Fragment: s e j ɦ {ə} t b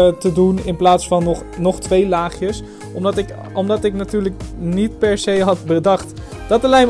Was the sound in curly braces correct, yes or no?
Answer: no